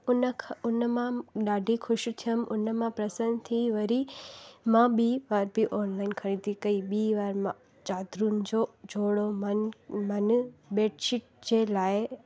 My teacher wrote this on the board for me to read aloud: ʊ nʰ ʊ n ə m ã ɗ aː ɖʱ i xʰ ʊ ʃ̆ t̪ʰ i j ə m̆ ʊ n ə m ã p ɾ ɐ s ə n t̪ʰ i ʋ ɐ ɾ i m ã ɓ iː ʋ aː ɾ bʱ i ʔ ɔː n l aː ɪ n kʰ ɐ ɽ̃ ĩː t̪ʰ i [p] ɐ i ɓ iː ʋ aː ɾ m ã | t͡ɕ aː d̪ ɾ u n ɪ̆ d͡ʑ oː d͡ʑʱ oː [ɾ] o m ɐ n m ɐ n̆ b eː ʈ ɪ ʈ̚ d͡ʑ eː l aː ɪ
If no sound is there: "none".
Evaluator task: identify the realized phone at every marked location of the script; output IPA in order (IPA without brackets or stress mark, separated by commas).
k, ɽ